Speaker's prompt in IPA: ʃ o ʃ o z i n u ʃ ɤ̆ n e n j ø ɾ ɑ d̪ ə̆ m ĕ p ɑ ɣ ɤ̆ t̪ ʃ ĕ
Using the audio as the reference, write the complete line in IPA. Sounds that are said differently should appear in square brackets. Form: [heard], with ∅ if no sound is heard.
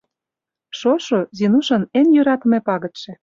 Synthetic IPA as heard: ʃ o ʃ o z i n u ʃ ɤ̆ n e n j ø ɾ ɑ [t̪] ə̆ m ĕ p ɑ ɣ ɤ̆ t̪ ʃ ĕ